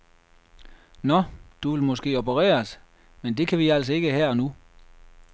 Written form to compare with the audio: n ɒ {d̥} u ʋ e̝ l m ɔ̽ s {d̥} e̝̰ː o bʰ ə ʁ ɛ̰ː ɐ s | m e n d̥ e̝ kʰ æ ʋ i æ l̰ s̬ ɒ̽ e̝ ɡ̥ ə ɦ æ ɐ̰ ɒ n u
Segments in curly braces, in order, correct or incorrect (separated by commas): correct, incorrect